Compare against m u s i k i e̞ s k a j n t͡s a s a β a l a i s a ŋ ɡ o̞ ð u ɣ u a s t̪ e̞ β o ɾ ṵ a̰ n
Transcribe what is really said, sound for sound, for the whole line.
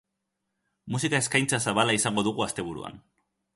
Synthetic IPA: m u s i k a e̞ s k a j n t͡s a s a β a l a i s a ŋ ɡ o̞ ð u ɣ u a s t̪ e̞ β u ɾ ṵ a̰ n